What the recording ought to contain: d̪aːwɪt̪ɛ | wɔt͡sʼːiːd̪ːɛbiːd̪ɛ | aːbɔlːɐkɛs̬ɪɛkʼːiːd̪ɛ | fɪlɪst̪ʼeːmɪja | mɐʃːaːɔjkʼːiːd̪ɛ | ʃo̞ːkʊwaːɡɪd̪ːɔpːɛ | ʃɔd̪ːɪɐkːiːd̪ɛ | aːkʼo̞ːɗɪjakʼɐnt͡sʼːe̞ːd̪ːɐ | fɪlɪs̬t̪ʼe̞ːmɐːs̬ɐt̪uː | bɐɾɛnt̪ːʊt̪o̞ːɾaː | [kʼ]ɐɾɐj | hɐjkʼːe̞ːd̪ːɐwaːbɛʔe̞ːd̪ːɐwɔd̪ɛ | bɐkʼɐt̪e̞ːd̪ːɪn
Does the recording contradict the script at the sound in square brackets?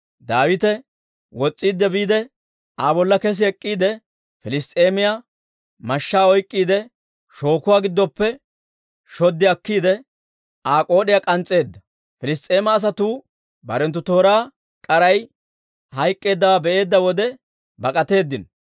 no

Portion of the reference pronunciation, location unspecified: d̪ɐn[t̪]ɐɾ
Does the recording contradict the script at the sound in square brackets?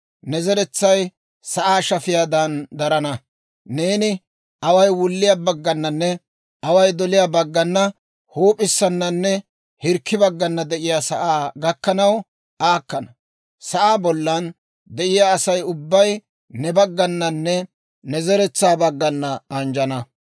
yes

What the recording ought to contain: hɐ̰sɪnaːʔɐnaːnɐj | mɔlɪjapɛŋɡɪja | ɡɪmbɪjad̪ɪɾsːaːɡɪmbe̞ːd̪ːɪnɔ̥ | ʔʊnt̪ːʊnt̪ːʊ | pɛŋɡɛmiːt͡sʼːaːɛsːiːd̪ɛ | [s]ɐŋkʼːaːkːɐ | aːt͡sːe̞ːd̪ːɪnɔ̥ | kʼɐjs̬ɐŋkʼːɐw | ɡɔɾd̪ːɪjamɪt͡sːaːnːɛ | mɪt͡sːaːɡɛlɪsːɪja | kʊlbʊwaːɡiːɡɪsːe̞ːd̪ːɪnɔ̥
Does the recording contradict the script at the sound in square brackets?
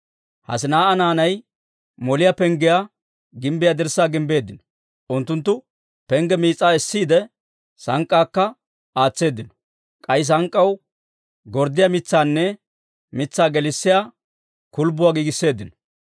no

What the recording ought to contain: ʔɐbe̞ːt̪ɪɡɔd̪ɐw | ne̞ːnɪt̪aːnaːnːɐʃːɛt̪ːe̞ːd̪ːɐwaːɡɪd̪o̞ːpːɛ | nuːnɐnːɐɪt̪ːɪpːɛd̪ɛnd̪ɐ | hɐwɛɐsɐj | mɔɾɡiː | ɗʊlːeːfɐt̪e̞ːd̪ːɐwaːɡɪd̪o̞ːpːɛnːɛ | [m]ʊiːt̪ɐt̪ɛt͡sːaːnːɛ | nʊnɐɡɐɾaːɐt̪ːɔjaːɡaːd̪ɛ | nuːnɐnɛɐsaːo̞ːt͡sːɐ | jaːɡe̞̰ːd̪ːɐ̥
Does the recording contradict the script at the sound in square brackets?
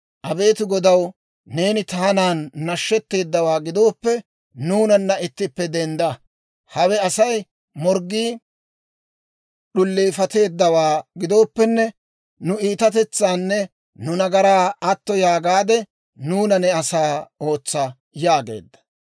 yes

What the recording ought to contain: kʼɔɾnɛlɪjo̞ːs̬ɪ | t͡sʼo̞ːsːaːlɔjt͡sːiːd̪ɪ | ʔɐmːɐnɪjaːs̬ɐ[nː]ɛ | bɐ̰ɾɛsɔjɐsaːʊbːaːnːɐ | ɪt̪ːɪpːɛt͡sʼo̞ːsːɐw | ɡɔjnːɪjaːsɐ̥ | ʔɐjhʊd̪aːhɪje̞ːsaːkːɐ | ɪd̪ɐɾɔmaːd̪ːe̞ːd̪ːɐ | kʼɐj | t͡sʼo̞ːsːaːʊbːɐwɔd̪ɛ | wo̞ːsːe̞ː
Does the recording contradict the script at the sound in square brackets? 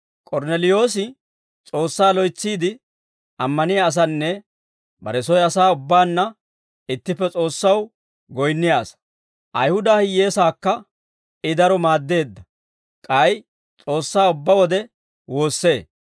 no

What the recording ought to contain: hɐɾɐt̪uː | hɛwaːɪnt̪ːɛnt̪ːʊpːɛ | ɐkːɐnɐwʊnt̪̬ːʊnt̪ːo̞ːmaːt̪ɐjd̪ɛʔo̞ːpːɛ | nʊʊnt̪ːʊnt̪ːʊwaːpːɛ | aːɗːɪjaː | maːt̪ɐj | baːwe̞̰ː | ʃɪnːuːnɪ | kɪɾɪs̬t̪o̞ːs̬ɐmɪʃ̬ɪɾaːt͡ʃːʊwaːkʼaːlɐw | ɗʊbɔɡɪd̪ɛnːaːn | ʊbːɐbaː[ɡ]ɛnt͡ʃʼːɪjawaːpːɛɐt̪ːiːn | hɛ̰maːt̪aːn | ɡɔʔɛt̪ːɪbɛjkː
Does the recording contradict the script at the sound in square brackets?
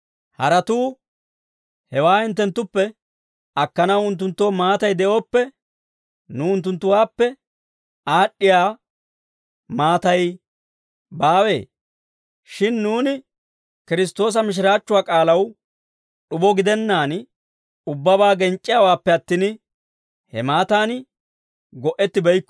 no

